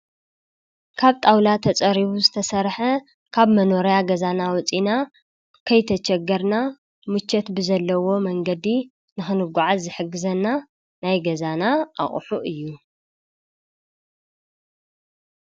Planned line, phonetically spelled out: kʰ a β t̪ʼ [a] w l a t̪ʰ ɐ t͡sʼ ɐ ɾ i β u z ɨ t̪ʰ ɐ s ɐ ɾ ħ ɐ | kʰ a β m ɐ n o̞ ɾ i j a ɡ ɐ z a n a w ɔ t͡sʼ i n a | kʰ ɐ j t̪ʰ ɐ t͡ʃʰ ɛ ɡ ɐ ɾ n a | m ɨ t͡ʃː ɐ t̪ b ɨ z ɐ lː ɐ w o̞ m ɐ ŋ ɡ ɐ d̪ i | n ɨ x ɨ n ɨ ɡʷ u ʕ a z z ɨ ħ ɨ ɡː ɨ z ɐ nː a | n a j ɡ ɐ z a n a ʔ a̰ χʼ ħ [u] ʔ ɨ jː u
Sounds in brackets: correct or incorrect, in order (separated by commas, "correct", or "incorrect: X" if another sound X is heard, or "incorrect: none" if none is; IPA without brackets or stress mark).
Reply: correct, correct